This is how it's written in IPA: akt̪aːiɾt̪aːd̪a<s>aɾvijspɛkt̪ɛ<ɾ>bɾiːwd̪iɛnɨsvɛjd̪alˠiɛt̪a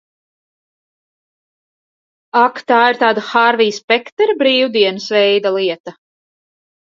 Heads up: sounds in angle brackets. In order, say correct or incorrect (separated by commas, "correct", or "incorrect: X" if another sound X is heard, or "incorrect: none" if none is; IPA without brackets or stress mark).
incorrect: x, correct